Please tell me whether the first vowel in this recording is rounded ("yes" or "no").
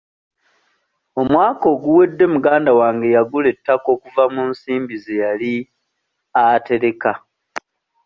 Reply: yes